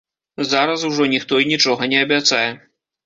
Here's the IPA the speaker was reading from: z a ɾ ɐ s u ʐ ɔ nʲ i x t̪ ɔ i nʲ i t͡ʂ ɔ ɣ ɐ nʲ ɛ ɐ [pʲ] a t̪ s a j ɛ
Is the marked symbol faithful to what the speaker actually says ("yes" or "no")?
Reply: no